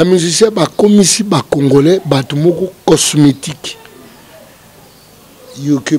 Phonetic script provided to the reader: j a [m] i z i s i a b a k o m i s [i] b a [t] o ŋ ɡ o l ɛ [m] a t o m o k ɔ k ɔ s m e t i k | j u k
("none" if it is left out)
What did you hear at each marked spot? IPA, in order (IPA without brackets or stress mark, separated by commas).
m, i, k, b